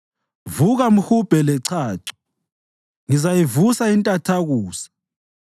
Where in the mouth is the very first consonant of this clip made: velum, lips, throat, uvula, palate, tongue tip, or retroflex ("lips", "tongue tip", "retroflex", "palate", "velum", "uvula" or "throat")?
lips